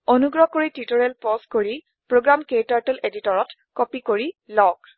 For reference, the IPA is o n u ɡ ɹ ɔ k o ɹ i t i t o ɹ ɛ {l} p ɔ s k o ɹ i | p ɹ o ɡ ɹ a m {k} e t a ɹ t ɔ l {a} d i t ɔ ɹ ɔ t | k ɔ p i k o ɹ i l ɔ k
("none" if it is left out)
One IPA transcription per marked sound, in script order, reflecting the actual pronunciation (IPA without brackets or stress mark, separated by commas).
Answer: l, k, e